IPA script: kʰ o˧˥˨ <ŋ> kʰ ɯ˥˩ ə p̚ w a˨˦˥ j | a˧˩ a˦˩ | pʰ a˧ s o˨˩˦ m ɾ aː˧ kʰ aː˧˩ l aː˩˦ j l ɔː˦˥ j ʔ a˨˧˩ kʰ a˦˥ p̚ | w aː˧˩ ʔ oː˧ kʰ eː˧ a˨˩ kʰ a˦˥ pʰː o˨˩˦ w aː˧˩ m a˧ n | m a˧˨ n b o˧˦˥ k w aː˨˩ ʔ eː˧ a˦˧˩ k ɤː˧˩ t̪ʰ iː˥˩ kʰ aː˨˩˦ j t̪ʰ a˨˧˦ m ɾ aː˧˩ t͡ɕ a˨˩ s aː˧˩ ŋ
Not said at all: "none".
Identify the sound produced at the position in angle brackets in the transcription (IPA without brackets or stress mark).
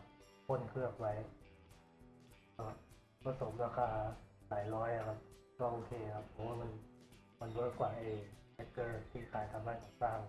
n